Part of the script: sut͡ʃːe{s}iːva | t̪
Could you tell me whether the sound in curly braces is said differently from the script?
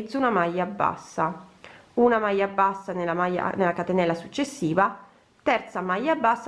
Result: yes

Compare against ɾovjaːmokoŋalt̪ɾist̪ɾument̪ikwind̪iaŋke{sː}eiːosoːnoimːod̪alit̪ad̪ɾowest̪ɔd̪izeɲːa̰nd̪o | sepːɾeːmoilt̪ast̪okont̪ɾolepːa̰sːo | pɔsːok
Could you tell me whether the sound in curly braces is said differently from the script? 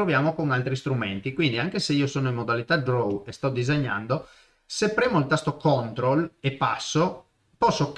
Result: yes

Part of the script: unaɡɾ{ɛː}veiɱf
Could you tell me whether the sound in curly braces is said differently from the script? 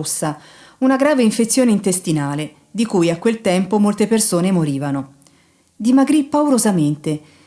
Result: yes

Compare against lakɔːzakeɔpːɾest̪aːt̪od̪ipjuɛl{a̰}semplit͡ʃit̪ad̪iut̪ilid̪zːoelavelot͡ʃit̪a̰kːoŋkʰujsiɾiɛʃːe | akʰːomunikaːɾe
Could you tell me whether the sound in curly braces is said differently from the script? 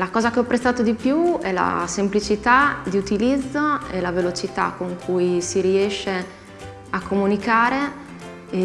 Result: no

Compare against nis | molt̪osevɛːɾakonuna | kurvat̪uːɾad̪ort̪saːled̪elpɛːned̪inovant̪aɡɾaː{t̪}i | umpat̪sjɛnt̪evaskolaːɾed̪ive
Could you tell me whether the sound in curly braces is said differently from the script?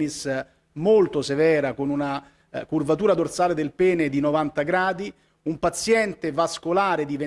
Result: yes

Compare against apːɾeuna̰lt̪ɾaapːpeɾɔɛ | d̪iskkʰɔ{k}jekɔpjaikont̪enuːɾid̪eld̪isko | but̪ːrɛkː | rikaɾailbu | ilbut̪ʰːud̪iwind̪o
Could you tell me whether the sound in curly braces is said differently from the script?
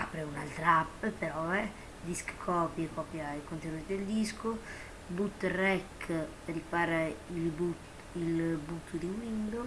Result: yes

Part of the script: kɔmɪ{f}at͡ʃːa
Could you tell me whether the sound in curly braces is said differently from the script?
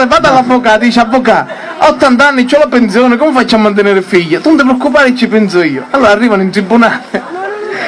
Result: no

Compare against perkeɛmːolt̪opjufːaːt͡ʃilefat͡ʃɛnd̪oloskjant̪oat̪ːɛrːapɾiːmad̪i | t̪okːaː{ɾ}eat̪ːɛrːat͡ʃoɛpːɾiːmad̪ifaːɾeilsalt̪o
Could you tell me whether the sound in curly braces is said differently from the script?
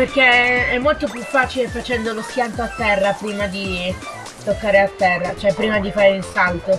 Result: no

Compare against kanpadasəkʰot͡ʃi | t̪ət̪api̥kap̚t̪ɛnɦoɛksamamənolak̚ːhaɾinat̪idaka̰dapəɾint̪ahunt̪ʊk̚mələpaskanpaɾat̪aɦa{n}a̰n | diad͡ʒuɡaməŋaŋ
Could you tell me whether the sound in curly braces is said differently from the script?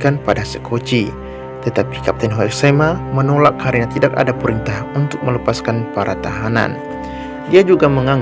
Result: no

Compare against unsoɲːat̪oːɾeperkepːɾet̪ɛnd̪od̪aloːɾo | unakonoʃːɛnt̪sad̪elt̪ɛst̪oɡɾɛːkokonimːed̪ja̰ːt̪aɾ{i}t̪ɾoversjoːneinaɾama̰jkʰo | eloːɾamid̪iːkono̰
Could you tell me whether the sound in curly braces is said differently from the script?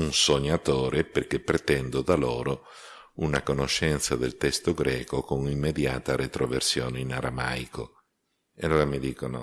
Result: yes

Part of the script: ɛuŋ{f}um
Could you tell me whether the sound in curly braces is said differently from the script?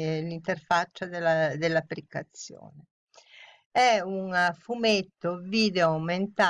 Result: no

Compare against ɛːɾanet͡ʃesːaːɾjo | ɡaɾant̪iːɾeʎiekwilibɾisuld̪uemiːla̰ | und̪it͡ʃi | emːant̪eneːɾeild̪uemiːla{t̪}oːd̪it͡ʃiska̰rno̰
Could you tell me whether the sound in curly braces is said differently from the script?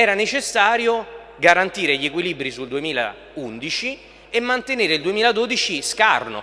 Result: yes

